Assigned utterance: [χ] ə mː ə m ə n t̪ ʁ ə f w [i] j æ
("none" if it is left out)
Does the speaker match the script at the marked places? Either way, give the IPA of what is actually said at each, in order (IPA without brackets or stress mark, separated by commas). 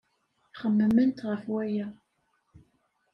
χ, æ